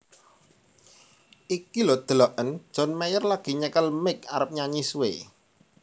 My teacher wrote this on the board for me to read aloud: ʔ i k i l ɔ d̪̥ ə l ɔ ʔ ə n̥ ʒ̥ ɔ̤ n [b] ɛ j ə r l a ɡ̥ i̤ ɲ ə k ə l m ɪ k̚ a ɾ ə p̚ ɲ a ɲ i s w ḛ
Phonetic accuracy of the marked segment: incorrect: m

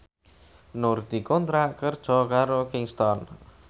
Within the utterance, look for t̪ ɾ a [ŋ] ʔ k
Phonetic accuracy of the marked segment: incorrect: none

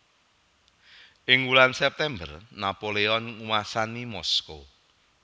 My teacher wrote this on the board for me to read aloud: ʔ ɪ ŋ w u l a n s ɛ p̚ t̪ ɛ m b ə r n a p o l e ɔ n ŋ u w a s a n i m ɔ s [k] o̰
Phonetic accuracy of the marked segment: correct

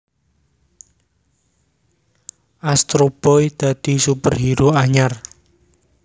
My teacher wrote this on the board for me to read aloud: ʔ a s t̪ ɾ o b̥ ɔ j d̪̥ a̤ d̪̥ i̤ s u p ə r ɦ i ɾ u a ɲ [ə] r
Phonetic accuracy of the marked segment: incorrect: a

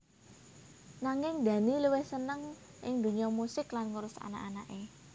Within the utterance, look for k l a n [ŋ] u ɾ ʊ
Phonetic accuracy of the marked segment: correct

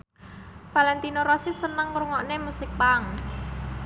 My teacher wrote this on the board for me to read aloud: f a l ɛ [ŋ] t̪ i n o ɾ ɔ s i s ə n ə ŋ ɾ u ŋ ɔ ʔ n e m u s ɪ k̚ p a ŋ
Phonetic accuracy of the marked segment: incorrect: n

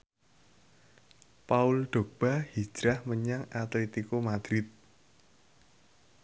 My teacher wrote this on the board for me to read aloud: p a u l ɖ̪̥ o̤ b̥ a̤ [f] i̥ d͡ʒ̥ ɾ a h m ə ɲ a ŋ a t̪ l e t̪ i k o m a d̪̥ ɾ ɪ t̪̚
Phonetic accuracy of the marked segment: incorrect: h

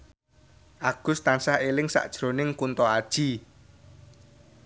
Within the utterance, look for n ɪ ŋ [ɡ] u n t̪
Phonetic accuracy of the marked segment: incorrect: k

